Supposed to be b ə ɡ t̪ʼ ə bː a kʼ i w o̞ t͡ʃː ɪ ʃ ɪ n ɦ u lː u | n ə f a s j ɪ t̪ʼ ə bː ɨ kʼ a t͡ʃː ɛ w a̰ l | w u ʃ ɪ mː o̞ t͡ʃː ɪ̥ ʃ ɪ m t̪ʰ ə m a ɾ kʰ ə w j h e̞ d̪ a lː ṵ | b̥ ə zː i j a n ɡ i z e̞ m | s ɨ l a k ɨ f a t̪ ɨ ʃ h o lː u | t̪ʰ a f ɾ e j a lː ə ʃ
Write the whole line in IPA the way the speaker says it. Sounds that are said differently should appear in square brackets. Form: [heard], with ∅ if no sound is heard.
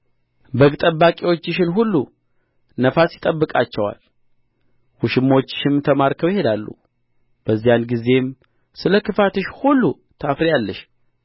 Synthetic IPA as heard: b ə ɡ t̪ʼ ə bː a kʼ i w o̞ t͡ʃː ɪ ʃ ɪ n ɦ u lː u | n ə f a s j ɪ t̪ʼ ə bː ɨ kʼ a t͡ʃː ɛ w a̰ l | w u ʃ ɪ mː o̞ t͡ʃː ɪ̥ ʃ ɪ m t̪ʰ ə m a ɾ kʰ ə w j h e̞ d̪ a lː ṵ | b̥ ə zː i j a n ɡ i z e̞ m | s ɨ l [ə] k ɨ f a t̪ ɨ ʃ h [u] lː u | t̪ʰ a f ɾ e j a lː ə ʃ